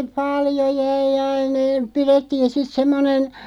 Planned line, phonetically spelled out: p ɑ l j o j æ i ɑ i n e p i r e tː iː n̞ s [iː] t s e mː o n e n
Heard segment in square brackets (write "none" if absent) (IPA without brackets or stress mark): i